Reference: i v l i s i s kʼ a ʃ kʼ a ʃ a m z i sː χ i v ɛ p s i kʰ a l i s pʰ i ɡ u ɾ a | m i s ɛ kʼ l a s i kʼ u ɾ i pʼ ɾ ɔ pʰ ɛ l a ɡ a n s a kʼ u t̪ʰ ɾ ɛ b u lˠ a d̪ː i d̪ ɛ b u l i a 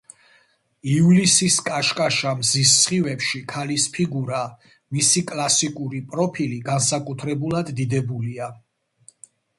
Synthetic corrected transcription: i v l i s i s kʼ a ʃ kʼ a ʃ a m z i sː χ i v ɛ p ʃ i kʰ a l i s pʰ i ɡ u ɾ a | m i s i kʼ l a s i kʼ u ɾ i pʼ ɾ ɔ pʰ i l i ɡ a n s a kʼ u t̪ʰ ɾ ɛ b u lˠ a d̪ː i d̪ ɛ b u l i a